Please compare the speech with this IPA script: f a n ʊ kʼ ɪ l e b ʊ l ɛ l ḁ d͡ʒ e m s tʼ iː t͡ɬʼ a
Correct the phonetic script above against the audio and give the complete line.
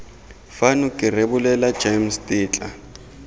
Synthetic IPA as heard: f a n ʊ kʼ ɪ r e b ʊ l ɛ l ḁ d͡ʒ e m s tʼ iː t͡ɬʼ a